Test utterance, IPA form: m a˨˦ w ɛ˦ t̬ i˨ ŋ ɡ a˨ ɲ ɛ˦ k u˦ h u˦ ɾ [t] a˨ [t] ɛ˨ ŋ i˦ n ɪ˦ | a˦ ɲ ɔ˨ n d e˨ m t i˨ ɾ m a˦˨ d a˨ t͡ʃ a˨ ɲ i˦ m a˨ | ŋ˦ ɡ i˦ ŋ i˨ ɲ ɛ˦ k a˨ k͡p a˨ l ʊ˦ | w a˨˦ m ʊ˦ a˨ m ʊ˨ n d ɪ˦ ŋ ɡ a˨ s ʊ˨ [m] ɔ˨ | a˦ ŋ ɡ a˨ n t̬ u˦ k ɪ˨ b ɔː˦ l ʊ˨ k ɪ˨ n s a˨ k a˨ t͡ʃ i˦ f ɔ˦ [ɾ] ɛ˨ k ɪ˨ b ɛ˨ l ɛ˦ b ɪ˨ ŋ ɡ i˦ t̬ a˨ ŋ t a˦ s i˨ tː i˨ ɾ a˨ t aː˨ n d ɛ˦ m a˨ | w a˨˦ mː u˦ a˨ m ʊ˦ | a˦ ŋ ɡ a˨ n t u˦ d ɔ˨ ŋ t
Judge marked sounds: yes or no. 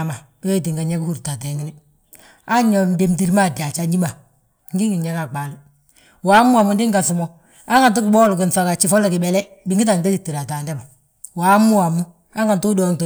yes, yes, yes, no

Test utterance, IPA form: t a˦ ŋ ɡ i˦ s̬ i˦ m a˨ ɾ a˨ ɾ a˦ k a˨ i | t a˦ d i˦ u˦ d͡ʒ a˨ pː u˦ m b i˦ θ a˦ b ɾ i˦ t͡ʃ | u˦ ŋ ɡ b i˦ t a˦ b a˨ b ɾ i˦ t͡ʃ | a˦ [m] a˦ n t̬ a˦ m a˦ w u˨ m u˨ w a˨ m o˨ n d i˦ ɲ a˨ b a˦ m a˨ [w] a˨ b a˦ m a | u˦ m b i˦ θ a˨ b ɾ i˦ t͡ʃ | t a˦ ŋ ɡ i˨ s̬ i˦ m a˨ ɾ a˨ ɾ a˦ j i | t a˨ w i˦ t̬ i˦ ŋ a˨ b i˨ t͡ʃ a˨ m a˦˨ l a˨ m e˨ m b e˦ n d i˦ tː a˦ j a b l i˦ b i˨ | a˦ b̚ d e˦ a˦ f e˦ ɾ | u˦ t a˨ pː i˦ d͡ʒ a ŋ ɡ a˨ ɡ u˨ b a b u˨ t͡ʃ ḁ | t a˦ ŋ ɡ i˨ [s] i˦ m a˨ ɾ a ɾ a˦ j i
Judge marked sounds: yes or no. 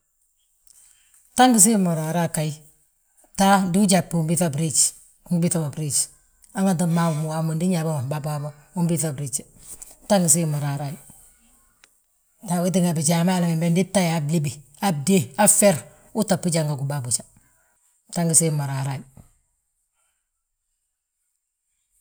no, no, yes

